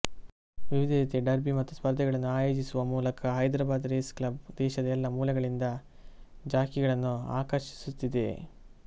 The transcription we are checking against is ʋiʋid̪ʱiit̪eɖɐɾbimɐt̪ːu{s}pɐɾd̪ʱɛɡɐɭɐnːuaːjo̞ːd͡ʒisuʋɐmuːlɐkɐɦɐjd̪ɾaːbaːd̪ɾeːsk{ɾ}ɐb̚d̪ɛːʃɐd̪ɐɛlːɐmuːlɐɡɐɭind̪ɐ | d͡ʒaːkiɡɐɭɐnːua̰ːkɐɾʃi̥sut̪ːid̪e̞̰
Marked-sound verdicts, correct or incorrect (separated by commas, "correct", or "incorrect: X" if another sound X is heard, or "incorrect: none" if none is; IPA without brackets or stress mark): correct, incorrect: l